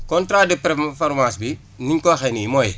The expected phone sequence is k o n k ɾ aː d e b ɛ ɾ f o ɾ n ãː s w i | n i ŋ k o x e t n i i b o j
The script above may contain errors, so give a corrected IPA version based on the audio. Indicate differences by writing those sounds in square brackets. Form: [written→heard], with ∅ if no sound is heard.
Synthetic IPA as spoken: k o n [k→t] ɾ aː d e [b→p] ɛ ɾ f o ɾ [n→m] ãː s [w→b] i | n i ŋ k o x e [t→∅] n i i [b→m] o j